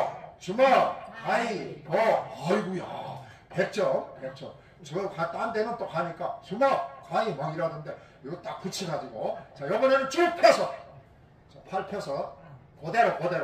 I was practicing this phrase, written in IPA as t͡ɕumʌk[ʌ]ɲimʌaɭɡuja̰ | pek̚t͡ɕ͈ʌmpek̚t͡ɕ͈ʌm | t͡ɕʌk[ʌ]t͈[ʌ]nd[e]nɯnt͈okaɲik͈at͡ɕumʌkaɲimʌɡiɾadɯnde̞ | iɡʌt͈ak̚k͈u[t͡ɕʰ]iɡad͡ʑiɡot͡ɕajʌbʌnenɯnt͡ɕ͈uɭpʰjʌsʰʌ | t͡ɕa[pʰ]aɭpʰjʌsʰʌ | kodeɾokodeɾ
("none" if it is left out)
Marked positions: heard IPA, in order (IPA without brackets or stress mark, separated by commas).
a, a, a, e, t͡ɕʰ, pʰ